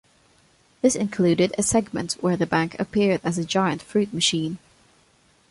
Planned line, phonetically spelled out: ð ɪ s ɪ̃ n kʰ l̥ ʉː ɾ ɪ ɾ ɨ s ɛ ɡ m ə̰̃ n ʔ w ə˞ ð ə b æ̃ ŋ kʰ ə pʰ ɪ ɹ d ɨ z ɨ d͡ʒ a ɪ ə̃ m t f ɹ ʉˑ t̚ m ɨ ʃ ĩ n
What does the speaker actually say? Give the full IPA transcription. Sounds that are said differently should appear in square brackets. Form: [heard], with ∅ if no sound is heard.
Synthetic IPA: ð ɪ s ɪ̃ n kʰ l̥ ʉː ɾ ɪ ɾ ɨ s ɛ ɡ m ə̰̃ n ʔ w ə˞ ð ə b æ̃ ŋ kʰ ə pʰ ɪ ɹ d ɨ z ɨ d͡ʒ a ɪ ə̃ [n] t f ɹ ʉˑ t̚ m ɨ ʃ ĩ n